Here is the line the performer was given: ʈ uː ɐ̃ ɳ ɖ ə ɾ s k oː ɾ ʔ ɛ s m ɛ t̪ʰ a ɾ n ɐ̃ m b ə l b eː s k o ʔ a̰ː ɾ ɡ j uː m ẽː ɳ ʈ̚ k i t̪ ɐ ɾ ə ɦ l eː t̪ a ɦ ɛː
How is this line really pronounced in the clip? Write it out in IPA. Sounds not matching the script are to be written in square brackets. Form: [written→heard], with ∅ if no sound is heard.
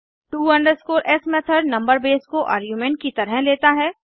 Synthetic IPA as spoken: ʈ uː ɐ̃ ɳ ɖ ə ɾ s k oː ɾ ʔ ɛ s m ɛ t̪ʰ [a→ə] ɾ n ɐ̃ m b ə [l→ɾ] b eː s k o ʔ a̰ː ɾ ɡ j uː m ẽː ɳ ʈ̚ k i t̪ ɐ ɾ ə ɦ l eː t̪ a ɦ ɛː

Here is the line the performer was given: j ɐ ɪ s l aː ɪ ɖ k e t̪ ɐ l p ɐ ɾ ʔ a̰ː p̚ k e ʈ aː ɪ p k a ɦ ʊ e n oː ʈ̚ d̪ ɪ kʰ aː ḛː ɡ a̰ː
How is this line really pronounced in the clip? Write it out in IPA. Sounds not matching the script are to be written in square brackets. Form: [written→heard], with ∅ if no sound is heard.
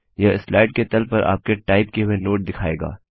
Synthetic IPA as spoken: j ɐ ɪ s l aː ɪ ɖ k e t̪ ɐ l p ɐ ɾ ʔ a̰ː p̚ k e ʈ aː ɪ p k [a→e] ɦ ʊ e n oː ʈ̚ d̪ ɪ kʰ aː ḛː ɡ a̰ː

